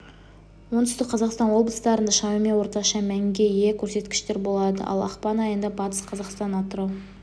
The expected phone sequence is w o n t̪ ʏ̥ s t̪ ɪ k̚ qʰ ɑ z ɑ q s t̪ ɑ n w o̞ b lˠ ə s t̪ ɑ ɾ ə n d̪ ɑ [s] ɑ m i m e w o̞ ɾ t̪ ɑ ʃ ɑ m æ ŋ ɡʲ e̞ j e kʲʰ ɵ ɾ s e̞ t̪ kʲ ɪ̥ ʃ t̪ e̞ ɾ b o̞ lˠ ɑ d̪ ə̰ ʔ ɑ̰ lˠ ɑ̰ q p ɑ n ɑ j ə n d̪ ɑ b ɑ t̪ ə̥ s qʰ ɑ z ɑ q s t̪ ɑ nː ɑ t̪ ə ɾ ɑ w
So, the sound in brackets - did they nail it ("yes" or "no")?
no